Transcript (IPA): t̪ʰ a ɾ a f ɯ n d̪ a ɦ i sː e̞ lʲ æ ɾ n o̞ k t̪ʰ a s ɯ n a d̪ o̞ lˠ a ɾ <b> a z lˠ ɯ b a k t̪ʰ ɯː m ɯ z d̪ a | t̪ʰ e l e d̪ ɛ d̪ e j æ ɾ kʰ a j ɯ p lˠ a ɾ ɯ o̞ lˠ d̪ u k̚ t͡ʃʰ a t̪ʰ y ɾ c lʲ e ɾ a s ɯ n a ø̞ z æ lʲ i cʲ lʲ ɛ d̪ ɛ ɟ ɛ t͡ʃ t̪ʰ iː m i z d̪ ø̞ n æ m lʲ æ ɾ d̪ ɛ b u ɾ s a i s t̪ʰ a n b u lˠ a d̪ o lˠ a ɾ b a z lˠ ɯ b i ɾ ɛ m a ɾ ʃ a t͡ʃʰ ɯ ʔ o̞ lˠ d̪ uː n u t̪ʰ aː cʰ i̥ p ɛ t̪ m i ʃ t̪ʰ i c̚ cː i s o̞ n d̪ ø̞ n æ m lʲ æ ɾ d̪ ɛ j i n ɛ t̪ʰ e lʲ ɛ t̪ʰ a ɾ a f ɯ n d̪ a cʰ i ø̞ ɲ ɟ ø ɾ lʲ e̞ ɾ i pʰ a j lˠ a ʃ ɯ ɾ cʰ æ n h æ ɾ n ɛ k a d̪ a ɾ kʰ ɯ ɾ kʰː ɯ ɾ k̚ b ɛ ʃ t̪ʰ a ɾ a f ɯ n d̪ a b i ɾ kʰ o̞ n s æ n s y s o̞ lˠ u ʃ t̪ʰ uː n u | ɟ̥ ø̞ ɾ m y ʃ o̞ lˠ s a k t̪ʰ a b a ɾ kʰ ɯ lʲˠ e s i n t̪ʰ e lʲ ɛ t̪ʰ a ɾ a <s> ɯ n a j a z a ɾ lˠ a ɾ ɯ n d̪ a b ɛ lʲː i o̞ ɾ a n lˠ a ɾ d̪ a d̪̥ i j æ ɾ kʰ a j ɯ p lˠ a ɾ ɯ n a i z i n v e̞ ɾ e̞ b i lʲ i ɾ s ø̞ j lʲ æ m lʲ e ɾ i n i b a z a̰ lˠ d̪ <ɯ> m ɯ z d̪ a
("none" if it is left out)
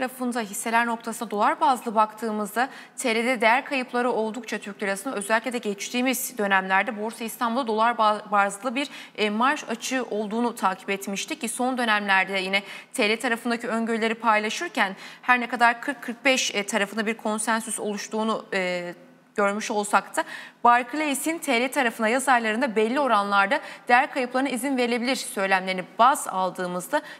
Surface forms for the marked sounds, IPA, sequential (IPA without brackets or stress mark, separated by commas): b, f, ɯː